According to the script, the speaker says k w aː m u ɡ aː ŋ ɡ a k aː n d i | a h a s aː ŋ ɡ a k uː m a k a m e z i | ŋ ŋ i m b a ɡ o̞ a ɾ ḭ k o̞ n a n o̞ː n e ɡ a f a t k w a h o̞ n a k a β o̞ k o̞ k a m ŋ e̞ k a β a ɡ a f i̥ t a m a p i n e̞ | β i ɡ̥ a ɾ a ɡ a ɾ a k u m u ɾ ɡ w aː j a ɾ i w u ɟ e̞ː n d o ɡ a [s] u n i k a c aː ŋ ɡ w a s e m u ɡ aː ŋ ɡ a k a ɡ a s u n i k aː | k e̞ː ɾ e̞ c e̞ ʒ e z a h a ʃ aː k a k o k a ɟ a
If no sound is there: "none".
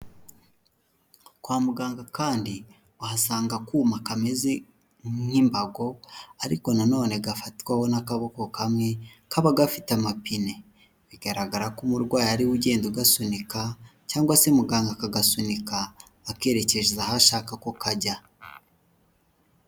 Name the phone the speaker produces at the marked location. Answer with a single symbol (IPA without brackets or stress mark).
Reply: s